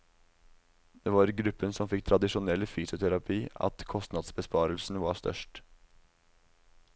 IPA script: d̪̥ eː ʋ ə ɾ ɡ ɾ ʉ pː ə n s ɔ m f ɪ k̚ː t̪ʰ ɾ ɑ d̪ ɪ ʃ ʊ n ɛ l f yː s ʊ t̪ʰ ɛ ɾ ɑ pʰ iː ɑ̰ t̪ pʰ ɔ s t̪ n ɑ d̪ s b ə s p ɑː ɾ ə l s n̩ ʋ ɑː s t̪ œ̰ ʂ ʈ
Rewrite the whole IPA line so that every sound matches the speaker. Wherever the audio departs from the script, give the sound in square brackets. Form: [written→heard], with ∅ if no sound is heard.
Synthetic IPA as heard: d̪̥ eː ʋ [ə→ɑ] ɾ ɡ ɾ ʉ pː ə n s ɔ m f ɪ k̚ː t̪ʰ ɾ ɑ d̪ ɪ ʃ ʊ n ɛ l f yː s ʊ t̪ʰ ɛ ɾ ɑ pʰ iː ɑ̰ t̪ [pʰ→kʰ] ɔ s t̪ n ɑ d̪ s b ə s p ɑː ɾ ə l s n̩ ʋ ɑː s t̪ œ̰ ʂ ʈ

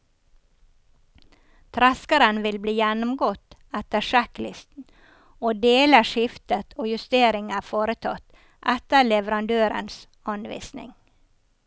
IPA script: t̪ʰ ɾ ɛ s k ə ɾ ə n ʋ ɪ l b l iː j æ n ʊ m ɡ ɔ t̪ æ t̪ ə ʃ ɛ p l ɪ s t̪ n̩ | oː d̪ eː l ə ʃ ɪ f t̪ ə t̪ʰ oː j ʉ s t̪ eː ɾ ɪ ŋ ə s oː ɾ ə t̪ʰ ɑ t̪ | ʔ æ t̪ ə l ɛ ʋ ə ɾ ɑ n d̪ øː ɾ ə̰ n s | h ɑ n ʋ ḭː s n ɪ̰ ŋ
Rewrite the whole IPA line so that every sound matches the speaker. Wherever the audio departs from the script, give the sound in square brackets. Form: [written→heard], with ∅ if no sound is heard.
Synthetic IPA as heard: t̪ʰ ɾ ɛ s k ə ɾ ə n ʋ ɪ l b l iː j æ n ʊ m ɡ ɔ t̪ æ t̪ ə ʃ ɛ [p→k] l ɪ s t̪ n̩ | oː d̪ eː l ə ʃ ɪ f t̪ ə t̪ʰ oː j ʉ s t̪ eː ɾ ɪ ŋ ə [s→f] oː ɾ ə t̪ʰ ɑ t̪ | ʔ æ t̪ ə l ɛ ʋ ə ɾ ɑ n d̪ øː ɾ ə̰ n s | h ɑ n ʋ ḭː s n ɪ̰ ŋ

